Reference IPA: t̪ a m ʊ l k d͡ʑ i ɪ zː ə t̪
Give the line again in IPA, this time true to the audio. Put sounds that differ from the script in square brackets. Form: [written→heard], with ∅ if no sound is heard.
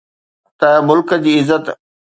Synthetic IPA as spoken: t̪ [a→ɐ] m ʊ l k d͡ʑ [i→iː] ɪ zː ə t̪